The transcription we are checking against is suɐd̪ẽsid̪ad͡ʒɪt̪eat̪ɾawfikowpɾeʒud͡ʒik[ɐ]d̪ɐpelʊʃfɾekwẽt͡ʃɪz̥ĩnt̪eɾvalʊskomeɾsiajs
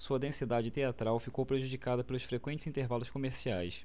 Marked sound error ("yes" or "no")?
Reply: yes